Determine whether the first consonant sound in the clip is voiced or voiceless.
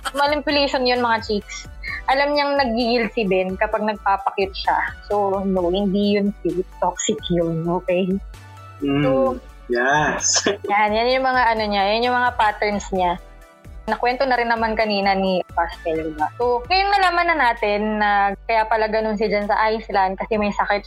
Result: voiced